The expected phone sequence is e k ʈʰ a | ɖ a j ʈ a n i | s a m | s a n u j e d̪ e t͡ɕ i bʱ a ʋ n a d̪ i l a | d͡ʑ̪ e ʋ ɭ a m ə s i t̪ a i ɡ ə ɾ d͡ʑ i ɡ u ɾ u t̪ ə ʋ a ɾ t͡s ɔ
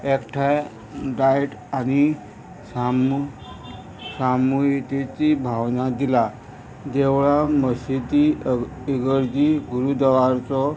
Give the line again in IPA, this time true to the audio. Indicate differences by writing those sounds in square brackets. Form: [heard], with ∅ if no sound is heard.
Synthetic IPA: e k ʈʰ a | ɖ a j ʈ a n i | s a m | s a [m] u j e [t̪] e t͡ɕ i bʱ a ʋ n a d̪ i l a | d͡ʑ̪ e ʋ ɭ a m ə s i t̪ [i] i ɡ ə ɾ d͡ʑ i ɡ u ɾ u [d̪] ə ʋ a ɾ t͡s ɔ